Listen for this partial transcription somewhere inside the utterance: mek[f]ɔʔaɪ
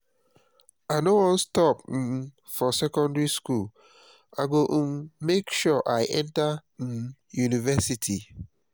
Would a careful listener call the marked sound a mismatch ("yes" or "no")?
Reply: yes